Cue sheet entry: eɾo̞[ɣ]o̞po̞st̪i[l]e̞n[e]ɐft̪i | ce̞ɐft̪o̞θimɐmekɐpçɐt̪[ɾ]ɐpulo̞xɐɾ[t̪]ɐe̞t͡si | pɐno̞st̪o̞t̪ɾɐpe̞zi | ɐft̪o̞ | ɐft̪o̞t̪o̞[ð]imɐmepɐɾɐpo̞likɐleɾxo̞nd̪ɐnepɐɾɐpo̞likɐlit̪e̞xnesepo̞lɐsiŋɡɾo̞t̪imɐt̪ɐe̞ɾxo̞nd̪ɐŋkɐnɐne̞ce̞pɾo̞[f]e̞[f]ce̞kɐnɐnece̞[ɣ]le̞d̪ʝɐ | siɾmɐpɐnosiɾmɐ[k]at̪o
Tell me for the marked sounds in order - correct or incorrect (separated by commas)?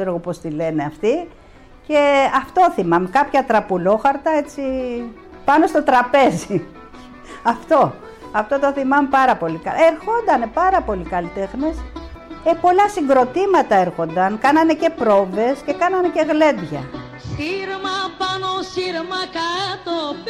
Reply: correct, correct, correct, correct, correct, incorrect, incorrect, incorrect, correct, correct